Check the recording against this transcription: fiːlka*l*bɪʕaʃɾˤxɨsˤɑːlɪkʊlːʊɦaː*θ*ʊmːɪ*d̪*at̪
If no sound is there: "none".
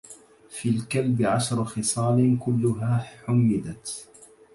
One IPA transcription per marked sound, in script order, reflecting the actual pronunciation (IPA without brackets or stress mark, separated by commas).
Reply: l, ħ, d̪